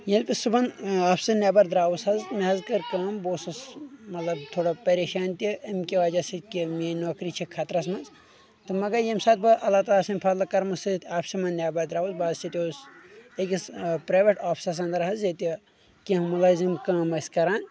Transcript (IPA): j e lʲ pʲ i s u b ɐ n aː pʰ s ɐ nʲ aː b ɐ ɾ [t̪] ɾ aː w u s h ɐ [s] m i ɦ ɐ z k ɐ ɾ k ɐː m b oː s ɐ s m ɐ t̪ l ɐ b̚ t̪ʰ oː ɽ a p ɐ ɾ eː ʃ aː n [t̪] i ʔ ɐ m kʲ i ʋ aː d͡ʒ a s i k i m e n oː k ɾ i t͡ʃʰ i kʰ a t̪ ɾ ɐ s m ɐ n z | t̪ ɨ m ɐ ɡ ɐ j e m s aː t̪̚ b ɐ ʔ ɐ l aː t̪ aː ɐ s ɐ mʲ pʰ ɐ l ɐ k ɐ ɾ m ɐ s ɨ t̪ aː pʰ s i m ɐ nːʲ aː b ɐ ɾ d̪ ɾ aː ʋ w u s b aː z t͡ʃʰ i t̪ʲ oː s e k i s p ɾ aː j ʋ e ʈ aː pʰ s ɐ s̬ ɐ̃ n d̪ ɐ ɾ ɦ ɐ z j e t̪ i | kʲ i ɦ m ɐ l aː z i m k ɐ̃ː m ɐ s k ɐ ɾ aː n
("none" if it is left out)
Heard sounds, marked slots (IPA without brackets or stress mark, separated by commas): d̪, z, t̪